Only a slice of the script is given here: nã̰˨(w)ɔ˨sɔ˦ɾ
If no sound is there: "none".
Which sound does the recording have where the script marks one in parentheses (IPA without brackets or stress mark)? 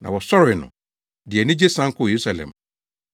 w